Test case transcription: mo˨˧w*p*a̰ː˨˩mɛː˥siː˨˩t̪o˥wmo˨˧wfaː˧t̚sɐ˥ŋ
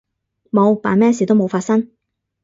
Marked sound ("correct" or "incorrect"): correct